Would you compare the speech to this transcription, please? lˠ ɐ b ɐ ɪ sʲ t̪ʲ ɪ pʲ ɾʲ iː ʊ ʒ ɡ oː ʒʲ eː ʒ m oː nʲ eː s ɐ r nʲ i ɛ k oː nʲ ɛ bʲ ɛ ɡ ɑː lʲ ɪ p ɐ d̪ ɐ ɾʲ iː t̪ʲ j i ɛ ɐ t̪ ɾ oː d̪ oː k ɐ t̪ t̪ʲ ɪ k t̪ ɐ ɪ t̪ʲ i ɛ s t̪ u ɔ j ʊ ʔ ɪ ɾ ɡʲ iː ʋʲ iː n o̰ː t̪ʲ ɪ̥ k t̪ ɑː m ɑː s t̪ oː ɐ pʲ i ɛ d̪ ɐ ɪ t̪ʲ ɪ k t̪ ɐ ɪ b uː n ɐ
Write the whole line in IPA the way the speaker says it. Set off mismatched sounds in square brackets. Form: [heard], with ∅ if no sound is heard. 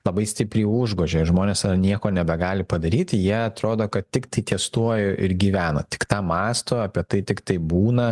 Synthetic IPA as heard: lˠ ɐ b ɐ ɪ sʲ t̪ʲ ɪ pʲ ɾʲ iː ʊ ʒ ɡ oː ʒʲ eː ʒ m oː nʲ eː s ɐ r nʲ i ɛ k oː nʲ ɛ bʲ ɛ ɡ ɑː lʲ ɪ p ɐ d̪ ɐ ɾʲ iː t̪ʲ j i ɛ ɐ t̪ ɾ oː d̪ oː k ɐ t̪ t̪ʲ ɪ k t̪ ɐ ɪ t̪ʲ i ɛ s t̪ u ɔ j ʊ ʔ ɪ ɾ ɡʲ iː ʋʲ [æː] n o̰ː t̪ʲ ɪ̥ k t̪ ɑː m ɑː s t̪ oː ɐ pʲ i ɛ [t̪] ɐ ɪ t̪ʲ ɪ k t̪ ɐ ɪ b uː n ɐ